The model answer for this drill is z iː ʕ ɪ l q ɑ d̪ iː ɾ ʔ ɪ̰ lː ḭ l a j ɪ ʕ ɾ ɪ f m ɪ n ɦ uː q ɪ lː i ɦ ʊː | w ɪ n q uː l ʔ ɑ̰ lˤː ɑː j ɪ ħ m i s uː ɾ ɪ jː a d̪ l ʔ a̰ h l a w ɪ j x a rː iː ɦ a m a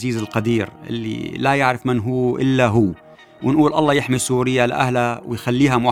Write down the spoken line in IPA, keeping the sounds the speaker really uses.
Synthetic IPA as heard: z iː z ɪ l q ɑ d̪ iː ɾ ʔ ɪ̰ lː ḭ l a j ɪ ʕ ɾ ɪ f m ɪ n ɦ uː ʔ ɪ lː a ɦ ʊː | w ɪ n ʔ uː l ʔ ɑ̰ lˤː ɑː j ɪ ħ m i s uː ɾ ɪ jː a l ʔ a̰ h l a w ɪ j x a lː iː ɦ a m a